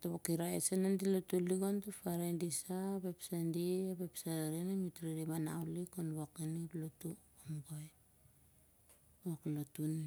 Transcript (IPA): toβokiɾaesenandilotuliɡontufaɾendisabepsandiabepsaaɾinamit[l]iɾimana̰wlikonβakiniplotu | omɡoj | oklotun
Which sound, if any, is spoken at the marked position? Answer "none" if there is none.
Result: ɾ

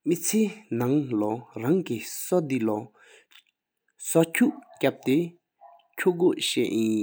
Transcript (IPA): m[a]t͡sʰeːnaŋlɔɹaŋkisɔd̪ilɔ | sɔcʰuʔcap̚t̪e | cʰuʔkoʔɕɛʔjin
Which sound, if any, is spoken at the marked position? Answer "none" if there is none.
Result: i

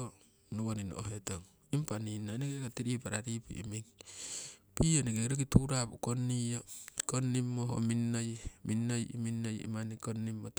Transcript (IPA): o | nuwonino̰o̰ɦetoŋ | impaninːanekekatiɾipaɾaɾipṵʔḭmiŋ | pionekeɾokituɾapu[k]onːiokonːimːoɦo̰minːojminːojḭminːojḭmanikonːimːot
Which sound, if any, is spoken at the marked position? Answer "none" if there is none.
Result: k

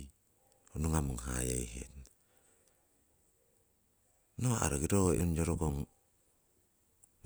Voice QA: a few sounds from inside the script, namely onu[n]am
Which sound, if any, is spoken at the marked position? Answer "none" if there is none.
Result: ŋ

